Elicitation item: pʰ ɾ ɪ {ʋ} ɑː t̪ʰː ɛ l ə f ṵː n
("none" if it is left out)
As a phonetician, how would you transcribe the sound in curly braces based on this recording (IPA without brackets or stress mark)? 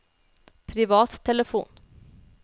v